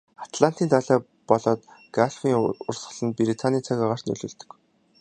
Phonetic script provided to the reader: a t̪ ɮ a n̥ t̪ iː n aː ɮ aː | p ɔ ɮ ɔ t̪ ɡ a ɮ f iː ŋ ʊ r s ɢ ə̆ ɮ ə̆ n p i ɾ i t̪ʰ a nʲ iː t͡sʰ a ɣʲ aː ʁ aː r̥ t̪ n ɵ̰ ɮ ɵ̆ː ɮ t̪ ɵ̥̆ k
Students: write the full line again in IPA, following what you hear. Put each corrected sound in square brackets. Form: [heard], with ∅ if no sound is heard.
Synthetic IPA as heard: a t̪ ɮ a n̥ t̪ iː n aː ɮ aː | p ɔ ɮ [ɔː] t̪ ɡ a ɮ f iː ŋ ʊ r s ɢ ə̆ ɮ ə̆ n p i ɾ i t̪ʰ a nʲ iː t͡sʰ a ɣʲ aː ʁ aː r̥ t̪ n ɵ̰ ɮ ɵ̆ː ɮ t̪ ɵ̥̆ k